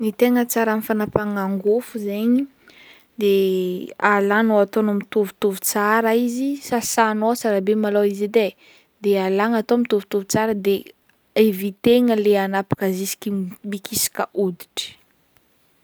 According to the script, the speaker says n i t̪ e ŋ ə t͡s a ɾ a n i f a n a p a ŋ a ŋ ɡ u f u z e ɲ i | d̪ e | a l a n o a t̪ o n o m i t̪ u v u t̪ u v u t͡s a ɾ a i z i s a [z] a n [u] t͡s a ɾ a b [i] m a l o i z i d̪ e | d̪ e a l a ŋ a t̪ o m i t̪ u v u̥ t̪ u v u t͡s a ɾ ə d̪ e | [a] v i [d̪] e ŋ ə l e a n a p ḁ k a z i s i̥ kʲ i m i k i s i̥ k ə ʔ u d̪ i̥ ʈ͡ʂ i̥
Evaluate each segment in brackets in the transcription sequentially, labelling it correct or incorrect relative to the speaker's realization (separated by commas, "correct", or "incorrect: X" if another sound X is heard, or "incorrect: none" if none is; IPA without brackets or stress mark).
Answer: incorrect: s, incorrect: o, incorrect: e, incorrect: e, incorrect: t̪